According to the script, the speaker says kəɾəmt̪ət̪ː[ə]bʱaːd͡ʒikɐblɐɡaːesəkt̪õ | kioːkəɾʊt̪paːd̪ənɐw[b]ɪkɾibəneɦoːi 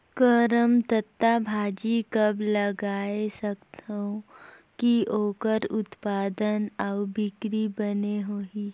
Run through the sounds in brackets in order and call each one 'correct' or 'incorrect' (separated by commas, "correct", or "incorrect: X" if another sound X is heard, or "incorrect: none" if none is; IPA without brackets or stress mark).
incorrect: a, correct